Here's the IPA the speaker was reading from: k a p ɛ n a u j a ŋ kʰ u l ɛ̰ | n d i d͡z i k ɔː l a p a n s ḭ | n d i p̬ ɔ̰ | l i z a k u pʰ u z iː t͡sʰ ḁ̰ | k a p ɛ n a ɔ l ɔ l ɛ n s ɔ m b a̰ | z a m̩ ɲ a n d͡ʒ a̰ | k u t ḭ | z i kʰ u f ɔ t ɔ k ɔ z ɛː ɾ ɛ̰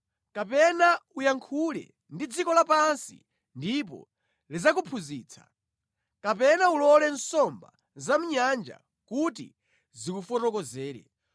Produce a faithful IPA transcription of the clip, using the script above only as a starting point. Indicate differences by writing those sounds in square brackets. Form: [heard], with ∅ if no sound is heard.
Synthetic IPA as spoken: k a p ɛ n a u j a ŋ kʰ u l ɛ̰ | n d i d͡z i k [ɔ] l a p a n s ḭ | n d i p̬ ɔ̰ | l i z a k u pʰ u z iː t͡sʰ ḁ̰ | k a p ɛ n a [u] l ɔ l ɛ n s ɔ m b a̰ | z a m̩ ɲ a n d͡ʒ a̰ | k u t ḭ | z i [k] u f ɔ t ɔ k ɔ z ɛː ɾ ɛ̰